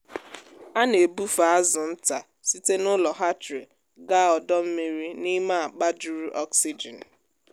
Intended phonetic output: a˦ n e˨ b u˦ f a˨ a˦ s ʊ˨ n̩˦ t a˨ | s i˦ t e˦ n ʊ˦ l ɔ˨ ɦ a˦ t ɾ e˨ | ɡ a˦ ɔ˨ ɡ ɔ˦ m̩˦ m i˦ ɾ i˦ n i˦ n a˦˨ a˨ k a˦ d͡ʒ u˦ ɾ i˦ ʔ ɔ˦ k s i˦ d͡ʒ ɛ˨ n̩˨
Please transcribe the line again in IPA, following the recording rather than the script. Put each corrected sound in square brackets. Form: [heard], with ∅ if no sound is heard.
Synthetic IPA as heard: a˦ n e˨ b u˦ f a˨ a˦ [z] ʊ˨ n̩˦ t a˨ | s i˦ t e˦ n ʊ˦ l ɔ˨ ɦ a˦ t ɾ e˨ | ɡ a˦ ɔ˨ [d] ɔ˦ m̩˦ m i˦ ɾ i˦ n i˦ [m] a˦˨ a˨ [k͡p] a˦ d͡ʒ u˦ ɾ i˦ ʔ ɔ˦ k s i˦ d͡ʒ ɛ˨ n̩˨